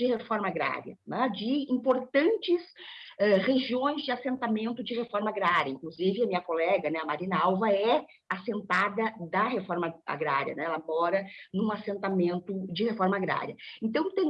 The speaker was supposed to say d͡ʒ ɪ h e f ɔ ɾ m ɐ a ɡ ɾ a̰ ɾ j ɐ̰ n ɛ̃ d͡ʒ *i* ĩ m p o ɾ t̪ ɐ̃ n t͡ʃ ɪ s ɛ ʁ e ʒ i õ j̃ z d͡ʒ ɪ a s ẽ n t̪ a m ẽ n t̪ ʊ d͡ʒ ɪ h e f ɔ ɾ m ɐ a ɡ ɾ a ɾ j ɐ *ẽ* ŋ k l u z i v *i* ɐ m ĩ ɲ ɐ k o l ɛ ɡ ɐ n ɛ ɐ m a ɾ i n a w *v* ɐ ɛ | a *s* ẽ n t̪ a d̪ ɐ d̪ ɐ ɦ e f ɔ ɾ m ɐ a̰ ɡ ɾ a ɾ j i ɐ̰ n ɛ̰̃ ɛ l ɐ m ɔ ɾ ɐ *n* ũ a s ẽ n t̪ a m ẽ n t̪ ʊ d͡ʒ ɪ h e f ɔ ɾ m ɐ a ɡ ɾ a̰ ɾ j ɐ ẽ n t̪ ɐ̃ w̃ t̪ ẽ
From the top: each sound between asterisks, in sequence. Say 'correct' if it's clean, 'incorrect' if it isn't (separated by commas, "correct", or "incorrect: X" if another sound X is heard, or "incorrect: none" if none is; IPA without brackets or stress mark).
incorrect: ɪ, incorrect: ĩ, incorrect: ɪ, correct, correct, correct